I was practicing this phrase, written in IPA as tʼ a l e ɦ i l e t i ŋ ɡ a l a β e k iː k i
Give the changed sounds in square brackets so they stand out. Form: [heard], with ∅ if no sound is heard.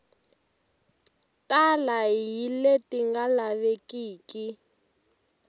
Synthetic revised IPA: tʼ a l [a] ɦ i l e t i ŋ ɡ a l a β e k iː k i